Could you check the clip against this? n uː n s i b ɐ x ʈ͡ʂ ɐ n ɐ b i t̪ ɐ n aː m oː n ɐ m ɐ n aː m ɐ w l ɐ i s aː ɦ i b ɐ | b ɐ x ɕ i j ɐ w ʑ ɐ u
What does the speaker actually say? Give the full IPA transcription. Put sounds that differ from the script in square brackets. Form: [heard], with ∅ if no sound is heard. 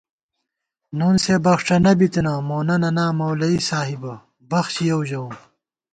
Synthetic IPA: n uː n s [e] b ɐ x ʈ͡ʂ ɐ n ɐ b i t̪ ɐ n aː m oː n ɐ [n] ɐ n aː m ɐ w l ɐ i s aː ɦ i b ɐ | b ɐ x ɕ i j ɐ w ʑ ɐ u